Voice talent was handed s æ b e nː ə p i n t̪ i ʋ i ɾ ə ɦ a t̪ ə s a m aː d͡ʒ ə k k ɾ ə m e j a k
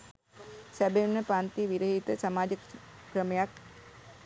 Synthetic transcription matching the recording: s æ b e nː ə p a n t̪ i ʋ i ɾ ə ɦ i t̪ ə s a m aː d͡ʒ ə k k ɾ ə m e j a k